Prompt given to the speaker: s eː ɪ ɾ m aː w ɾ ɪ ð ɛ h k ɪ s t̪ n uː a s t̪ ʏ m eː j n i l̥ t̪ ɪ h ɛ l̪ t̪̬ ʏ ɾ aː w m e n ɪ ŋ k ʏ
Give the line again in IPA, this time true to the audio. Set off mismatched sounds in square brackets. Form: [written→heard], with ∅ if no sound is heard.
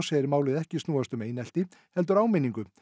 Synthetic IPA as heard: s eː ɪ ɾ m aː w [ɾ→l] ɪ ð ɛ h [k→c] ɪ s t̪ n uː a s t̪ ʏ m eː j n [i→ɛ] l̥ t̪ ɪ h ɛ l̪ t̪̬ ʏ ɾ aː w m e n [ɪ→i] ŋ k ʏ